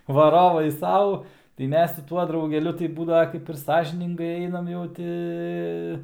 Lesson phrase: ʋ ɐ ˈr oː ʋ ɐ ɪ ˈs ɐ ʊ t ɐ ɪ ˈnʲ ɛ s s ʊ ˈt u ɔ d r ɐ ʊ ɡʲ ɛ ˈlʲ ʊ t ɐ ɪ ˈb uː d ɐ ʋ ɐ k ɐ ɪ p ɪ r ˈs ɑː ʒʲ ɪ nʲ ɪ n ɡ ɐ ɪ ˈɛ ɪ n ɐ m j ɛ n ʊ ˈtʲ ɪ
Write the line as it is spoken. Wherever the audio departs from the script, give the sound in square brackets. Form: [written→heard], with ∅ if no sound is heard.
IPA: ʋ ɐ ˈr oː ʋ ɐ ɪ ˈs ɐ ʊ t ɐ ɪ [ˈnʲ→ˈmʲ] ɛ s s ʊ ˈt u ɔ d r ɐ ʊ ɡʲ ɛ ˈlʲ ʊ t ɐ ɪ ˈb uː d ɐ ʋ ɐ k ɐ ɪ p ɪ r ˈs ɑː ʒʲ ɪ nʲ ɪ [n→ŋ] ɡ ɐ ɪ ˈɛ ɪ n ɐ m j ɛ [n→∅] ʊ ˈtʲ ɪ